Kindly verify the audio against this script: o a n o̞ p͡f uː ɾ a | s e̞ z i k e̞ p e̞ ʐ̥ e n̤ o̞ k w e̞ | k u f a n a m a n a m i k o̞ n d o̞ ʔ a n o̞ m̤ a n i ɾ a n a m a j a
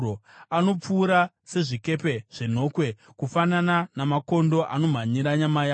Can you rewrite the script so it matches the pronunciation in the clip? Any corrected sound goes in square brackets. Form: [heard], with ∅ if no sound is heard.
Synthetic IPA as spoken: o a n o̞ p͡f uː ɾ a | s e̞ [ʐ] i k e̞ p e̞ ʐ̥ e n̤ o̞ k w e̞ | k u f a n a [n] a n a m [a] k o̞ n d o̞ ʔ a n o̞ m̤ a [ɲ] i ɾ a [ɲ] a m a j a